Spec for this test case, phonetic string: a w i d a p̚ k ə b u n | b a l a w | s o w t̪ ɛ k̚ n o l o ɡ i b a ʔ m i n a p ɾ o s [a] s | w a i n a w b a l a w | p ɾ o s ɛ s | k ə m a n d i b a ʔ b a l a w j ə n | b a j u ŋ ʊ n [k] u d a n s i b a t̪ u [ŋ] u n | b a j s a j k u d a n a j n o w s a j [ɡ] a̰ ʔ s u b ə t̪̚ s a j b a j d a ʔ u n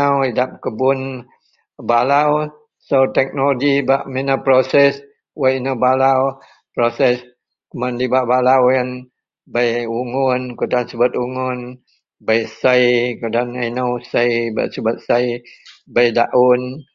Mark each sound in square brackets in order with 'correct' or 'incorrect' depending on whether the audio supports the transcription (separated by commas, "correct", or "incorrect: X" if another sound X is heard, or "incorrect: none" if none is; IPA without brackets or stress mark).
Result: incorrect: ɛ, correct, correct, incorrect: b